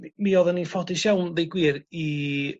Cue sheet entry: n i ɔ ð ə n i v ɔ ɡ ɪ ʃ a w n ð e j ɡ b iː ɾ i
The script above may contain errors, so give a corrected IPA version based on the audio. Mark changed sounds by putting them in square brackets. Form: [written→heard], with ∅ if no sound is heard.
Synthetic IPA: [n→m] i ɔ ð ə n i [v→f] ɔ [ɡ→d] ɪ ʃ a w n ð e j ɡ [b→w] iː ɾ i